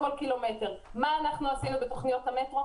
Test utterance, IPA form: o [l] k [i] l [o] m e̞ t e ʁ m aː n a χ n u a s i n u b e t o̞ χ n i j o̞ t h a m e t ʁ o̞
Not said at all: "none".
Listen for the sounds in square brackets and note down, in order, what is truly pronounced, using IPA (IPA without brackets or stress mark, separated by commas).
l, i, o